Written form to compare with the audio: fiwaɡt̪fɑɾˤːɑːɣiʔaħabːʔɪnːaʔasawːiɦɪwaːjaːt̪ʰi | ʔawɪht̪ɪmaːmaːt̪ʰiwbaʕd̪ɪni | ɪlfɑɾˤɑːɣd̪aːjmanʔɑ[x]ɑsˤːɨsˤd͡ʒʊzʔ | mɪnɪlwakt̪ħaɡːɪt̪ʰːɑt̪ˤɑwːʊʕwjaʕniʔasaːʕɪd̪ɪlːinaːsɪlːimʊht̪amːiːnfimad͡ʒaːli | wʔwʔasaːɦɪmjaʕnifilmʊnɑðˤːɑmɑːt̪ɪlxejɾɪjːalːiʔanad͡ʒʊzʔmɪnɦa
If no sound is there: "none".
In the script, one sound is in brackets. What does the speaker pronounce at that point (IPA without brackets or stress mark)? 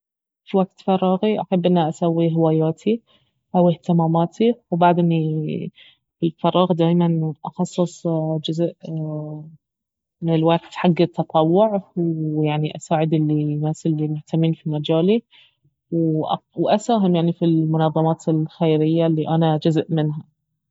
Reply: x